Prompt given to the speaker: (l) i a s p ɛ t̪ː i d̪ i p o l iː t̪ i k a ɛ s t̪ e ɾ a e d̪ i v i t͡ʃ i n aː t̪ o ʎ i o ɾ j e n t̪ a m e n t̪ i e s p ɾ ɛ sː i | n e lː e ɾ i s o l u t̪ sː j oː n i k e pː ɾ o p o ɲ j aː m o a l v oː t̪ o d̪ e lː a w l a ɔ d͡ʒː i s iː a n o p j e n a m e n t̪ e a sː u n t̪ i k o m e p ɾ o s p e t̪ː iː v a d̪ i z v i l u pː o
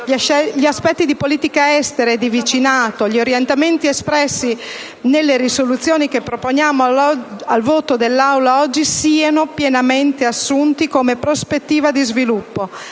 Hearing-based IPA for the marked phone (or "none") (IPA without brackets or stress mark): ʎ